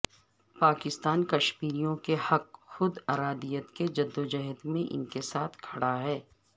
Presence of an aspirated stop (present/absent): present